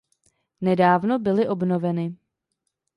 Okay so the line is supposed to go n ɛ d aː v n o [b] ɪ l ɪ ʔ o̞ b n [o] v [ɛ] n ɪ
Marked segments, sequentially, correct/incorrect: correct, correct, correct

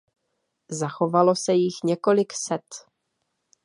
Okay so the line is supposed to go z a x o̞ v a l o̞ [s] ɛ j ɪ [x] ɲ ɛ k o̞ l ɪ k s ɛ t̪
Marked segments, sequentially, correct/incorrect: correct, correct

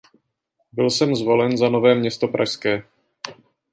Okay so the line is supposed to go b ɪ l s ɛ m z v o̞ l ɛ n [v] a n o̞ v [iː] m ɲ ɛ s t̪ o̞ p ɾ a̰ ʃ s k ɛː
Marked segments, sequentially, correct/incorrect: incorrect, incorrect

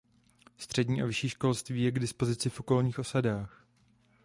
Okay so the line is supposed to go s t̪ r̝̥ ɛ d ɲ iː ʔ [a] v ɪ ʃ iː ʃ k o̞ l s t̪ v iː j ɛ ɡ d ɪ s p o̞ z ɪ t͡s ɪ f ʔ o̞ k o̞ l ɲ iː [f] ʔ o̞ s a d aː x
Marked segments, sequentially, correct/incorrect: correct, incorrect

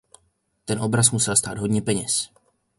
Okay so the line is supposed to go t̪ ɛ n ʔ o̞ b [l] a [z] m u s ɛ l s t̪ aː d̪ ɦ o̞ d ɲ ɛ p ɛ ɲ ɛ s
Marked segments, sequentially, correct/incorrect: incorrect, incorrect

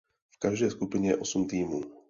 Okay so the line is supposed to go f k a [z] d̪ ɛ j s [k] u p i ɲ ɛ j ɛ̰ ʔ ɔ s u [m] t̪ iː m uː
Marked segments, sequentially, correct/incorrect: incorrect, correct, correct

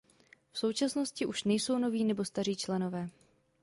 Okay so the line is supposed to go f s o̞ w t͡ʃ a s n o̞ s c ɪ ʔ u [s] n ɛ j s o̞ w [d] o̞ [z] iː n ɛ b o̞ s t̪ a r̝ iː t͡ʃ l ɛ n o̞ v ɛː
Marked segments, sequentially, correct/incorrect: incorrect, incorrect, incorrect

